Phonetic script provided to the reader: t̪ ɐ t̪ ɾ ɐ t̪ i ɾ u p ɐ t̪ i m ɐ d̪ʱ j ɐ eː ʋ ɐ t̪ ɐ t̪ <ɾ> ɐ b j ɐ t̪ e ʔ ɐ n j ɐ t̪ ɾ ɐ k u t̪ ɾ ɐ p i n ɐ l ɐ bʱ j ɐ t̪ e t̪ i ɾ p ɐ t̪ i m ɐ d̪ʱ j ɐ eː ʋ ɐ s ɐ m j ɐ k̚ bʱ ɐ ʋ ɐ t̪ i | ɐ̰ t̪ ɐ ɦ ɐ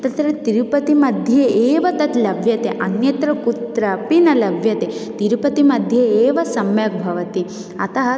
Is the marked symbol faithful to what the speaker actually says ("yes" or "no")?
no